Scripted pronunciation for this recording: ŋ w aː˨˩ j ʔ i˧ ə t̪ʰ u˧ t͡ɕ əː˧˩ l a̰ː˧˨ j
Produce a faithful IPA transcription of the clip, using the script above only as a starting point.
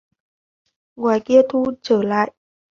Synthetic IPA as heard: ŋ w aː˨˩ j k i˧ ə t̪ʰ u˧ t͡ɕ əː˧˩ l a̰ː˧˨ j